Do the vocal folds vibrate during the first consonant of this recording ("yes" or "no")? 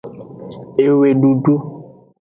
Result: yes